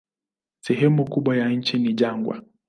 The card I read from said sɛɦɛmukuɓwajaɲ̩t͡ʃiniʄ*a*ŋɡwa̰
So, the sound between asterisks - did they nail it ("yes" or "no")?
yes